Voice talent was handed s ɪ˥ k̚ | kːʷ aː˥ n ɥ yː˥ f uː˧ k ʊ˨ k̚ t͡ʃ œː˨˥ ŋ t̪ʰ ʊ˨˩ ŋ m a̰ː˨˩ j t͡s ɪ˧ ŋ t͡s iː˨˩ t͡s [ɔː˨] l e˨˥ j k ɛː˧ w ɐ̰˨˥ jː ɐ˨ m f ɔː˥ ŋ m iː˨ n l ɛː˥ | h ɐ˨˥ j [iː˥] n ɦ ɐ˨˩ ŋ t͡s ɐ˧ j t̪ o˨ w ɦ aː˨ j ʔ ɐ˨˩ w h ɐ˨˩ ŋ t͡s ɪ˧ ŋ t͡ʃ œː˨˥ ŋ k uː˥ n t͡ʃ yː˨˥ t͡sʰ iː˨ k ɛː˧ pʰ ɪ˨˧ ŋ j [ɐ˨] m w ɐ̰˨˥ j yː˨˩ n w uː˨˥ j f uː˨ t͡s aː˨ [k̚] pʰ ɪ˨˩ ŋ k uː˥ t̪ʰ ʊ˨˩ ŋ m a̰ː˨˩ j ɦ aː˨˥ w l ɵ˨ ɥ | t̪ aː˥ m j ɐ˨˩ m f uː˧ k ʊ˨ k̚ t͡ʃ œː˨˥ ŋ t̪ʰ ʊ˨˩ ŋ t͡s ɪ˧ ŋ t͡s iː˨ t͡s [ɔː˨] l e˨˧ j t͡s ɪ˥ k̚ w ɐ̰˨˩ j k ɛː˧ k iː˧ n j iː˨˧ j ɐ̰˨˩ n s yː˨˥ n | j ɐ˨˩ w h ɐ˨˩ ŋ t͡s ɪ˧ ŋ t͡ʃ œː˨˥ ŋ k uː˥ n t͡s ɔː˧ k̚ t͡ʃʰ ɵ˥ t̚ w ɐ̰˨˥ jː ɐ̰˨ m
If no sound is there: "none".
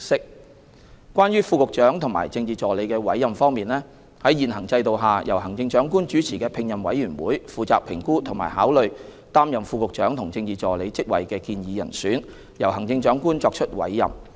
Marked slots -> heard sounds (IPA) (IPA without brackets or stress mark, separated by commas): ɔː˨, iː˨, ɐ˨, k̚, ɔː˨